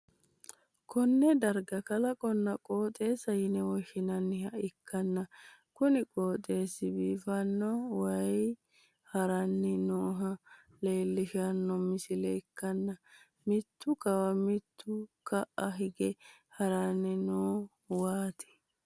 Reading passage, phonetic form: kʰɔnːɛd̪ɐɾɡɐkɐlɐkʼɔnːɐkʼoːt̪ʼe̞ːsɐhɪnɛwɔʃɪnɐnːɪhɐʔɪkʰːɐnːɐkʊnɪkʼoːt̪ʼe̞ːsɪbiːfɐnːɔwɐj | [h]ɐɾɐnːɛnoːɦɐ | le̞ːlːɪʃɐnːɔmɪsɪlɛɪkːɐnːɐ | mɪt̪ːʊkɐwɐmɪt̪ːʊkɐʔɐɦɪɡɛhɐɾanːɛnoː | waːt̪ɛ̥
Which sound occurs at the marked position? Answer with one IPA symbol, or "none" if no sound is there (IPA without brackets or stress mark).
h